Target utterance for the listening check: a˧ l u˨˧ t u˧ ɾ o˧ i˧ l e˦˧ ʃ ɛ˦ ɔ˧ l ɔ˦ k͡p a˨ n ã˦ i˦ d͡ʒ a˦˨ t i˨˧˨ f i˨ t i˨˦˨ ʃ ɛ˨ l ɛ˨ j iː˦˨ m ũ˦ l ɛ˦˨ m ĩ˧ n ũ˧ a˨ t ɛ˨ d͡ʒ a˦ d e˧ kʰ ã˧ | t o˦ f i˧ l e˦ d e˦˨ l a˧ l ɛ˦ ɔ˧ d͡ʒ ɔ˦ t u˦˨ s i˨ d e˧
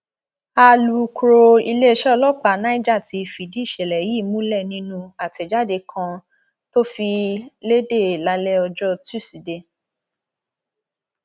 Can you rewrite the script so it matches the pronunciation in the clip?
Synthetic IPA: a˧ l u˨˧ k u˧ ɾ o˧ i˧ l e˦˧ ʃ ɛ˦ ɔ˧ l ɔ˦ k͡p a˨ n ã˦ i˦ d͡ʒ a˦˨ t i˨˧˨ f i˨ d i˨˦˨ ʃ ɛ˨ l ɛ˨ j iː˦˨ m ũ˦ l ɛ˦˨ n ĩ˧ n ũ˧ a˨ t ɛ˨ d͡ʒ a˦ d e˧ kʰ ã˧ | t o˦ f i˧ l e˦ d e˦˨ l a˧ l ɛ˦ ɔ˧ d͡ʒ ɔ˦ t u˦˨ s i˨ d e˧